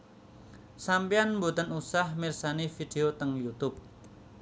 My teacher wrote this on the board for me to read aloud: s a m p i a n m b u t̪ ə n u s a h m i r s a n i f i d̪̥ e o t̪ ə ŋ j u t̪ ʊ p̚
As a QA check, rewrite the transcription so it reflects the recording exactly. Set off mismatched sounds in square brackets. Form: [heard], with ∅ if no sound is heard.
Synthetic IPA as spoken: s a m p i a n m b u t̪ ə n u s a h m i r s a n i f i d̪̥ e o t̪ ə ŋ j u t̪ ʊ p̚